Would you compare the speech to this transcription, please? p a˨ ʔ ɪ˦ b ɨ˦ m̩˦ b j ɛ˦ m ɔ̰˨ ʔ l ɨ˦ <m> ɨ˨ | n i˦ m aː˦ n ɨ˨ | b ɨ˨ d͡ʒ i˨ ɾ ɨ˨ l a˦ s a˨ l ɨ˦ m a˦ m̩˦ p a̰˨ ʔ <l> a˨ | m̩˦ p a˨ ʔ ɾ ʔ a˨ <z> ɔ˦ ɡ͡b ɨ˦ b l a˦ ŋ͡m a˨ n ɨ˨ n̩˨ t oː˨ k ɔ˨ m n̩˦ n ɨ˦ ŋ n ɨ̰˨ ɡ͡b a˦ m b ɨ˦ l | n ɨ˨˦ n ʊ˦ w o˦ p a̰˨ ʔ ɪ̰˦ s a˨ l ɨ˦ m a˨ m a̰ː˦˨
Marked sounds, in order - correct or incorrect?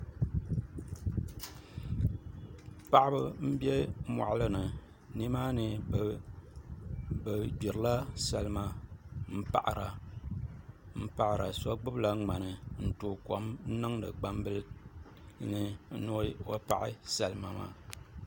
incorrect: n, incorrect: ɾ, incorrect: s

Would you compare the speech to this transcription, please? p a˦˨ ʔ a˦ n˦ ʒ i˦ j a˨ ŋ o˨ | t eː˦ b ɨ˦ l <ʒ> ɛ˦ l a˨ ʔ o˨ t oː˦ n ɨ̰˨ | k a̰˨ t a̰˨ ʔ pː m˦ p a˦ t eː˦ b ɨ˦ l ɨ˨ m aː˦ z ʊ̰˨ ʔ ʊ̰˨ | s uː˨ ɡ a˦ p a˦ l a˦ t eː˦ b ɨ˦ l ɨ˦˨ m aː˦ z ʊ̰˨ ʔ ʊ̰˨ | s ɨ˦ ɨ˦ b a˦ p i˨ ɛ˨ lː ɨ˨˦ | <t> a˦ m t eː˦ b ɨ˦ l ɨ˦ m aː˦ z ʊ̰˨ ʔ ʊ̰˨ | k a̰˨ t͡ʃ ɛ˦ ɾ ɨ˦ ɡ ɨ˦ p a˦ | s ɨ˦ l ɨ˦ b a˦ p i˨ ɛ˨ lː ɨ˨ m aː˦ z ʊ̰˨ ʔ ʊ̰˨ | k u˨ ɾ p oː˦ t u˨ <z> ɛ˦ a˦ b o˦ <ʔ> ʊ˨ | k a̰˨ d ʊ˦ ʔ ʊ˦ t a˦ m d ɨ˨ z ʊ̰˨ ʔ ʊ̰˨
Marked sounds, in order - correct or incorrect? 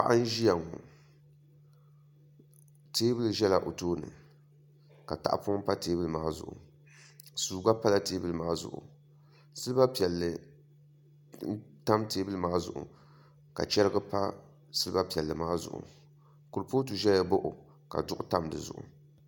correct, correct, incorrect: ʒ, correct

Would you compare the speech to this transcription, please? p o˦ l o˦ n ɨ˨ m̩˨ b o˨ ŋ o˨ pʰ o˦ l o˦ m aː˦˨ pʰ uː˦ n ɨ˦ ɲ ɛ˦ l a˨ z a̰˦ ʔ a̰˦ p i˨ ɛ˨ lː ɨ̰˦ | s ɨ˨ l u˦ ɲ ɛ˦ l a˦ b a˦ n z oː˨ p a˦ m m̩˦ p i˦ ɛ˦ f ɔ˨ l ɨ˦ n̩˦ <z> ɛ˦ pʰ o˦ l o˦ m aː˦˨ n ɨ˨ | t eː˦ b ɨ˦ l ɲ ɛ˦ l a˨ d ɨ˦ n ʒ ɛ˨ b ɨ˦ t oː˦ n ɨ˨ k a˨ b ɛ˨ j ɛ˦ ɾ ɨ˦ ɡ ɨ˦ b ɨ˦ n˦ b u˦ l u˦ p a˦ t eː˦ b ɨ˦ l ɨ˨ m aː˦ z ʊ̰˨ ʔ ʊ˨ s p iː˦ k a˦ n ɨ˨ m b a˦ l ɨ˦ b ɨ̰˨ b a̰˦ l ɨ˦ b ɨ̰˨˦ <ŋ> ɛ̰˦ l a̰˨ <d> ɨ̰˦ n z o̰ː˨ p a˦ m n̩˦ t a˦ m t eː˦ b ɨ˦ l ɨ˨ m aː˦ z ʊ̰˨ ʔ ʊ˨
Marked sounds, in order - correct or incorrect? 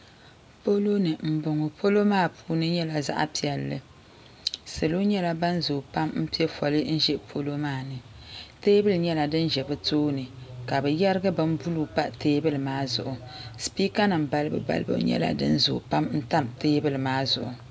incorrect: ʒ, incorrect: ɲ, correct

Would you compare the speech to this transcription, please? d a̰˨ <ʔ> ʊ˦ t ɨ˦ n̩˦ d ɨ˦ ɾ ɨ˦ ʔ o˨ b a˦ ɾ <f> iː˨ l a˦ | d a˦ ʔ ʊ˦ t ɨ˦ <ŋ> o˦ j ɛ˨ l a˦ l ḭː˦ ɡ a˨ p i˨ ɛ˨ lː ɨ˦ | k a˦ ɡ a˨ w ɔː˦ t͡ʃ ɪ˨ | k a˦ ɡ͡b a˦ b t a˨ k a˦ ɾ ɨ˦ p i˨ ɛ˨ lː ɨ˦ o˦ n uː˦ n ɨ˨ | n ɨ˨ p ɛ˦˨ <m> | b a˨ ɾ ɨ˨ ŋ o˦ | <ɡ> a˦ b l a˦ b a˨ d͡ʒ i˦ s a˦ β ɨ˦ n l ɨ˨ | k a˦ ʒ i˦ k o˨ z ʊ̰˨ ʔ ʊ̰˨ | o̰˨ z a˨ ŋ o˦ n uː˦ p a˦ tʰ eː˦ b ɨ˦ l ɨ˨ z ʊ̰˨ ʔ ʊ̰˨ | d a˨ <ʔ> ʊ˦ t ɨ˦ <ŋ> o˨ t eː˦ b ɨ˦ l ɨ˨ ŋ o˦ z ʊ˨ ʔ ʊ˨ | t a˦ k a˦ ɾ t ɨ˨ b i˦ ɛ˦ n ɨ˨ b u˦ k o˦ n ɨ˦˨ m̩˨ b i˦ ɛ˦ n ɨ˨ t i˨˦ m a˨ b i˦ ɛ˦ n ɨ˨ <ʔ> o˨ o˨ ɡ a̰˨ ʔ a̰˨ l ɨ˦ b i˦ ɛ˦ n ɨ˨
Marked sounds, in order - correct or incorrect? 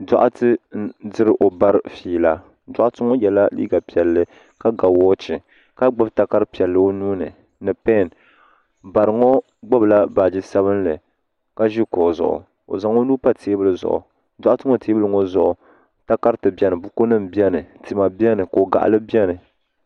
correct, correct, correct, incorrect: n, incorrect: ɡ͡b, correct, correct, incorrect: k

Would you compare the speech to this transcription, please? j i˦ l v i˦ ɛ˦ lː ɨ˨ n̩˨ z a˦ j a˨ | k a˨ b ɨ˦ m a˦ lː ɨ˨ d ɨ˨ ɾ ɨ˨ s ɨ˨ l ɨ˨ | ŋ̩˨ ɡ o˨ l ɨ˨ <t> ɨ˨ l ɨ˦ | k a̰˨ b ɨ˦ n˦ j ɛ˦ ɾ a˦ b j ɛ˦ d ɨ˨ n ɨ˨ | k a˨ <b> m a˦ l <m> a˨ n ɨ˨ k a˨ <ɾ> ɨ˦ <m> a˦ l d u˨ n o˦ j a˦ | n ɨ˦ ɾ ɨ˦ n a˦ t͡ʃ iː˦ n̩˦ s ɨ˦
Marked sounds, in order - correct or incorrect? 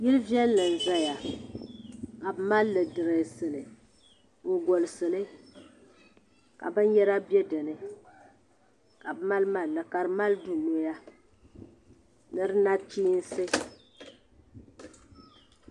incorrect: s, correct, correct, correct, correct

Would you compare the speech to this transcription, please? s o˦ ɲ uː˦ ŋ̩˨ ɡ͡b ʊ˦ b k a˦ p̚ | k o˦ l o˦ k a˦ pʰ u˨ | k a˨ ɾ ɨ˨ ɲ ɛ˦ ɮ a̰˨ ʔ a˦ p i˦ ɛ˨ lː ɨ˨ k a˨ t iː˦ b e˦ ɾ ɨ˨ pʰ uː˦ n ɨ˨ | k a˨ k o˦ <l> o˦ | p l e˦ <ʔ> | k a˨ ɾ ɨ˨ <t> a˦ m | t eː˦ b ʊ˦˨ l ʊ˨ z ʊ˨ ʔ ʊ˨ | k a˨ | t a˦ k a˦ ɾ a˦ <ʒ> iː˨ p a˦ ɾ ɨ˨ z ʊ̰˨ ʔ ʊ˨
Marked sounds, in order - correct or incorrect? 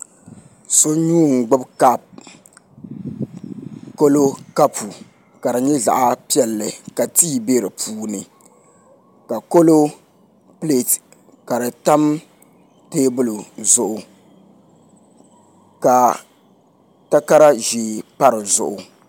correct, incorrect: t, correct, correct

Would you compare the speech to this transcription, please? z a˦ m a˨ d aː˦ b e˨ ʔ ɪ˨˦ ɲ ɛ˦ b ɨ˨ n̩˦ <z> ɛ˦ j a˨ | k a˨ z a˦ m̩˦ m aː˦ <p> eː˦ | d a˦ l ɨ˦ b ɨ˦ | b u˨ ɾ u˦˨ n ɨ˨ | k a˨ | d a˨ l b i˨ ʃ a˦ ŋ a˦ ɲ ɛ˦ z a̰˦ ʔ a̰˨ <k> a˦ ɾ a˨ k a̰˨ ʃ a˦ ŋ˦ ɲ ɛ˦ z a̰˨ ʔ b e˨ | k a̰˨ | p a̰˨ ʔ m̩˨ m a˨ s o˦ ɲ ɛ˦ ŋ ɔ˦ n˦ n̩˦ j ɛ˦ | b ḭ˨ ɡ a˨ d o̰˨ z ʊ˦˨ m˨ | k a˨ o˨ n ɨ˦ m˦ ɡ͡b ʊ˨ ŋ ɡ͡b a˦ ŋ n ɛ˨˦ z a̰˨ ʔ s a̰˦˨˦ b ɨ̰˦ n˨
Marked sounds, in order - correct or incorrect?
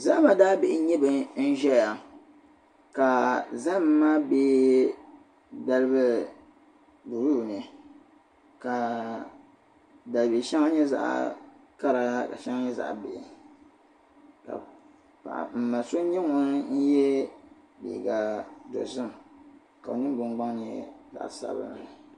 incorrect: ʒ, incorrect: b, correct

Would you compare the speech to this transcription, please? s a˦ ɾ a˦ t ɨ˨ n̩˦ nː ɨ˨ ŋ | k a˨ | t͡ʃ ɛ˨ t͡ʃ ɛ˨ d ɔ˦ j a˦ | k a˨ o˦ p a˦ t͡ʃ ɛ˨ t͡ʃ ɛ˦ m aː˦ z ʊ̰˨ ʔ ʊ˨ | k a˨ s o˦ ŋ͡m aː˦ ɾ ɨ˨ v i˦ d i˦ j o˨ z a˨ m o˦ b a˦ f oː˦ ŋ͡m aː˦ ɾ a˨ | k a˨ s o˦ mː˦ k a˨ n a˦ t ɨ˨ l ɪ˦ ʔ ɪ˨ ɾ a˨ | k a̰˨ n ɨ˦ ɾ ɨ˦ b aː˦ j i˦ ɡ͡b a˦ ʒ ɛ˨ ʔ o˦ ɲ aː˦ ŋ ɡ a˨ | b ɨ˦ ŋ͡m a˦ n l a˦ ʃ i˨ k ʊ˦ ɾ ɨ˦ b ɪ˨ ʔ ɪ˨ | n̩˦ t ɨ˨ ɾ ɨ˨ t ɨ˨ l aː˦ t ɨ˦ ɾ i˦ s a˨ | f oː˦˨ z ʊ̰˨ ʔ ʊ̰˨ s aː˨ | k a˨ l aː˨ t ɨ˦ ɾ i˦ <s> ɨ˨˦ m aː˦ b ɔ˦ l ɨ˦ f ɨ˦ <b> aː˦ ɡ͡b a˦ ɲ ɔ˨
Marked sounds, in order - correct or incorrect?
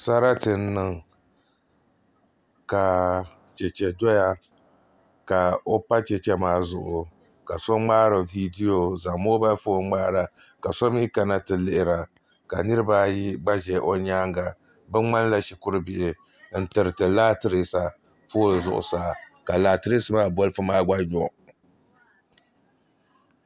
correct, incorrect: m

